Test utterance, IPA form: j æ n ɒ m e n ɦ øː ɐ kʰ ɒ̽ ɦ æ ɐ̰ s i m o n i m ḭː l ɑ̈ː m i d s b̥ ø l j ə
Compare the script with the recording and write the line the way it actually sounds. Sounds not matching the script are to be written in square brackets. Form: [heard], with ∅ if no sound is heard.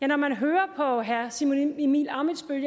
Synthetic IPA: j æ n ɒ m [æ] n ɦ øː ɐ [pʰ] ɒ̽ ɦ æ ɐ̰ s i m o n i m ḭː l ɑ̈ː m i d s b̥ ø l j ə

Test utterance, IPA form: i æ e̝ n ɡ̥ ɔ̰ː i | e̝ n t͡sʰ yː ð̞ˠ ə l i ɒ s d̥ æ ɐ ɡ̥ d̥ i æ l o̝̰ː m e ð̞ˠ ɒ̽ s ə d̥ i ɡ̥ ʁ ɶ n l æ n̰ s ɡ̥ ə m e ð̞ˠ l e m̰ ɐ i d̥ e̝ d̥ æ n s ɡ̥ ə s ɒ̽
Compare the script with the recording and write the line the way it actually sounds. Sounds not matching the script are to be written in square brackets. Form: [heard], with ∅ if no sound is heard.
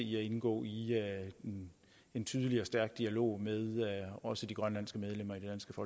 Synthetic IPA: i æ e̝ n ɡ̥ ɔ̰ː i | e̝ n t͡sʰ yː ð̞ˠ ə l i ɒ s d̥ æ ɐ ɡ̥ d̥ i æ l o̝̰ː m e ð̞ˠ ɒ̽ s ə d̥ i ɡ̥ ʁ ɶ n l æ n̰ s ɡ̥ ə m e ð̞ˠ l e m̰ ɐ i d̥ e̝ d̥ æ n s ɡ̥ ə [f] ɒ̽

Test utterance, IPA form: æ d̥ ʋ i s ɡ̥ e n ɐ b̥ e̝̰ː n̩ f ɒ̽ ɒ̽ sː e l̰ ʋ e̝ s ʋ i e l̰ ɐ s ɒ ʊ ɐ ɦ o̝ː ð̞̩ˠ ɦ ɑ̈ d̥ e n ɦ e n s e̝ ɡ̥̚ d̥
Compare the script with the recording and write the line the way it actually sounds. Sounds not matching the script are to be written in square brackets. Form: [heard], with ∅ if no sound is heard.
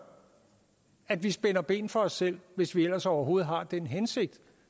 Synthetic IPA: æ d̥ ʋ i s [b̥] e n ɐ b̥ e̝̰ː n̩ f ɒ̽ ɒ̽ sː e l̰ ʋ e̝ s ʋ i e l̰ ɐ s ɒ ʊ ɐ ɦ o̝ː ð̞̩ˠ ɦ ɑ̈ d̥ e n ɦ e n s e̝ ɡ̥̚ d̥

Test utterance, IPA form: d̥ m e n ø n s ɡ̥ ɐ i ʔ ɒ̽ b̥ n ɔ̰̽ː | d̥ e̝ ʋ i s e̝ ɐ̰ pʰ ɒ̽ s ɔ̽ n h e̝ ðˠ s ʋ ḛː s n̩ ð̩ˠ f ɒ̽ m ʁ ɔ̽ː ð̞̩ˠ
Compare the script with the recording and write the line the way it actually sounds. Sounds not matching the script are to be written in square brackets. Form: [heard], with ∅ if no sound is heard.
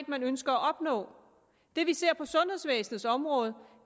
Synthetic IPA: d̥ m [æ] n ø n s ɡ̥ ɐ [æ] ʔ ɒ̽ b̥ n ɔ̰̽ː | d̥ e̝ ʋ i s e̝ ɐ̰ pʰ ɒ̽ s ɔ̽ n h e̝ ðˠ s ʋ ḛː s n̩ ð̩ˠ [s] ɒ̽ m ʁ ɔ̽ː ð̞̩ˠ

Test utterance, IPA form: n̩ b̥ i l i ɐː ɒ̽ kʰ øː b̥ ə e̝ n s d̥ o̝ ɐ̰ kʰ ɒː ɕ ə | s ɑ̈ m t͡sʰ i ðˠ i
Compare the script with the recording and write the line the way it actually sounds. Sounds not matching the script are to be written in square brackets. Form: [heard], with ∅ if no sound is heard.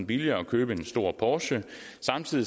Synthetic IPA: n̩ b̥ i l i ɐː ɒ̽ kʰ øː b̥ ə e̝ n s d̥ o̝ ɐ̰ [pʰ] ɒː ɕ ə | s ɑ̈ m t͡sʰ i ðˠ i

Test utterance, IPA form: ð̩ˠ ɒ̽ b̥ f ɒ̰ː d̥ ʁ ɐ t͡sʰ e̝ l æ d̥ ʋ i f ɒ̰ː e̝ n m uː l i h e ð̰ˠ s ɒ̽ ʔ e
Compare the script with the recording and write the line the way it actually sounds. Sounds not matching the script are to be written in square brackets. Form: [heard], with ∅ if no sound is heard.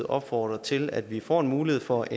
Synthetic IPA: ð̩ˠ ɒ̽ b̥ f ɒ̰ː d̥ ʁ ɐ t͡sʰ e̝ l æ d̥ ʋ i f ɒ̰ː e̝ n m uː l i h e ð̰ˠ [f] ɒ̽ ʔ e

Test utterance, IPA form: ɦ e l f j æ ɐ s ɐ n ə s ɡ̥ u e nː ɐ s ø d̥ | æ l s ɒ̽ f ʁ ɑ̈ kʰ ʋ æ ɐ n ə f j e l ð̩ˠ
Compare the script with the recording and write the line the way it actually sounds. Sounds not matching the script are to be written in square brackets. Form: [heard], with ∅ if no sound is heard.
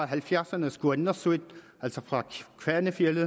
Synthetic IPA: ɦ [æ] l f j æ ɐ s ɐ n ə s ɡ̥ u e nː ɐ s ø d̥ | æ l s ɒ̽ f ʁ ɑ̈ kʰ ʋ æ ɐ n ə f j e l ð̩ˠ

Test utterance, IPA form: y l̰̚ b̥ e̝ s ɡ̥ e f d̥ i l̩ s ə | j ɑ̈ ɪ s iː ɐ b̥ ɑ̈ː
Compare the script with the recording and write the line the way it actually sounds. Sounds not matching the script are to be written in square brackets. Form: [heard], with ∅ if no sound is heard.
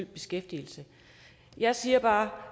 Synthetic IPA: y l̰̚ b̥ e̝ s ɡ̥ e f d̥ i l̩ s ə | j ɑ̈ ɪ s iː ɐ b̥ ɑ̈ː

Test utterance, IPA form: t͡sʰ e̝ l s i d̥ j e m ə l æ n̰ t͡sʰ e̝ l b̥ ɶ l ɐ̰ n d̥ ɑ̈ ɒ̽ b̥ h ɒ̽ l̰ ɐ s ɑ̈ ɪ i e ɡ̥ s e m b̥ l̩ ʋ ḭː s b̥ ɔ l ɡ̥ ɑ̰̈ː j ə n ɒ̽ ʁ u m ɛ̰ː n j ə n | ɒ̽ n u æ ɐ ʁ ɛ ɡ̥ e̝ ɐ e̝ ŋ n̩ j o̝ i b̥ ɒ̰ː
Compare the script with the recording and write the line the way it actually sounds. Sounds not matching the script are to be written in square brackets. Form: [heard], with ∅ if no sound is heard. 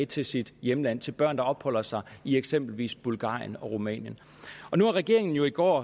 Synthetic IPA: t͡sʰ e̝ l s i d̥ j e m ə l æ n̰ t͡sʰ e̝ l b̥ ɶ [∅] ɐ̰ n d̥ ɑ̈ ɒ̽ b̥ h ɒ̽ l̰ ɐ s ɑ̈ ɪ i e ɡ̥ s e m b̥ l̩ ʋ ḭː s b̥ [u] l ɡ̥ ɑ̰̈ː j ə n ɒ̽ ʁ u m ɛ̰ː n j ə n | ɒ̽ n u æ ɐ ʁ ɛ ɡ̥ e̝ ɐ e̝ ŋ n̩ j o̝ i [ɡ̥] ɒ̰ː

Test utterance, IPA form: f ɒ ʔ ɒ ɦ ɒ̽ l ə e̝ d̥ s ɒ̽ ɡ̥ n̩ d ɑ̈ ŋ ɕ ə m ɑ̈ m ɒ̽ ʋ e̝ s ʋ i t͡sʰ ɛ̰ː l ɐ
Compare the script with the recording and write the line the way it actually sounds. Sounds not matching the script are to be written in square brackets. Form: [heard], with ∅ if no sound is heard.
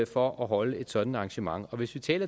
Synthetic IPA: f ɒ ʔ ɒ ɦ ɒ̽ l ə e̝ d̥ s ɒ̽ [d̥] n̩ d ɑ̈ ŋ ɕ ə m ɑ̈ [ŋ] ɒ̽ ʋ e̝ s ʋ i t͡sʰ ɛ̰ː l ɐ

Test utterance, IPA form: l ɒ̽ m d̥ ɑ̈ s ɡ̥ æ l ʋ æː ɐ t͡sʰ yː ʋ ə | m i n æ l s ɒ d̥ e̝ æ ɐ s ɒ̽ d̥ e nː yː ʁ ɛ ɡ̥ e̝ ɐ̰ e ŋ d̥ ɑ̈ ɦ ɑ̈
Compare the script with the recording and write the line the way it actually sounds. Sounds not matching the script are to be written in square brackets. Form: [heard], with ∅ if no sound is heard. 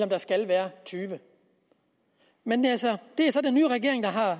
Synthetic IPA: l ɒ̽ m d̥ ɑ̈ s ɡ̥ æ l ʋ æː ɐ t͡sʰ yː ʋ ə | m [e] n æ l s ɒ d̥ e̝ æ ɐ s ɒ̽ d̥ e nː yː ʁ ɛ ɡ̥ e̝ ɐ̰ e ŋ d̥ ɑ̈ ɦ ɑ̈

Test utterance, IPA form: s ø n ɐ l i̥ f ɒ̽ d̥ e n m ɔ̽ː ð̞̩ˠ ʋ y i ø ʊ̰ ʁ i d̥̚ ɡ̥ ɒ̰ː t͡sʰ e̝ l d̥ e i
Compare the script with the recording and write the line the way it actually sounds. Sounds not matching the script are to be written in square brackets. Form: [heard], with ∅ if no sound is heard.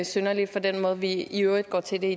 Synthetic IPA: s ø n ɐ l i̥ f ɒ̽ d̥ e n m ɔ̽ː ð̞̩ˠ ʋ [i] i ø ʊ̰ ʁ i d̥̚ ɡ̥ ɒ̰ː t͡sʰ e̝ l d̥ e i

